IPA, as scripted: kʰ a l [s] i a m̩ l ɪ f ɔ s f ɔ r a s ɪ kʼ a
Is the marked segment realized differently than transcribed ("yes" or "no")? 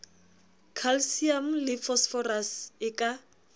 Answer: no